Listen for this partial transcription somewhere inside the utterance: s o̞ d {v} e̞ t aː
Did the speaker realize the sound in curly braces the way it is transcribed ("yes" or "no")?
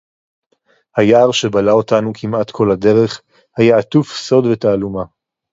yes